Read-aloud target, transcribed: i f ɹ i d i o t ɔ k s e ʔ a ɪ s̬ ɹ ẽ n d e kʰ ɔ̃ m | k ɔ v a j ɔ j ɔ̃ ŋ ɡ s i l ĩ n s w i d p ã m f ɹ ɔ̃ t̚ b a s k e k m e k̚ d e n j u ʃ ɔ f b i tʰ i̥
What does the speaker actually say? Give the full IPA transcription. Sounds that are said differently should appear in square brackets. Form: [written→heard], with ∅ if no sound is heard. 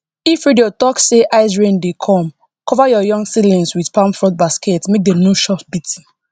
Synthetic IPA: i f ɹ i d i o t ɔ k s e ʔ a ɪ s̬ ɹ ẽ n d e kʰ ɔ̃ m | k ɔ v a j ɔ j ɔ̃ ŋ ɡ s i l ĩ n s w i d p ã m f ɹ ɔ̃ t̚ b a s k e [k→t] m e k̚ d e n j u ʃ ɔ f b i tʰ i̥